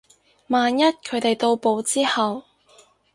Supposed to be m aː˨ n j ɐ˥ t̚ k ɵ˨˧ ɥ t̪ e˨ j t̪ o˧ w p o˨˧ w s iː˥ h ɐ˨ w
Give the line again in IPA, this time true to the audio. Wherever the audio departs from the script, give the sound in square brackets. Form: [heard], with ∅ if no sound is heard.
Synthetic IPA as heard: m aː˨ n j ɐ˥ t̚ [kʰ] ɵ˨˧ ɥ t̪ e˨ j t̪ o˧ w p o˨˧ w [t͡s] iː˥ h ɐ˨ w